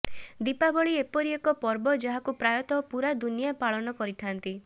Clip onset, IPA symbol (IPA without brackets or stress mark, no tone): d̪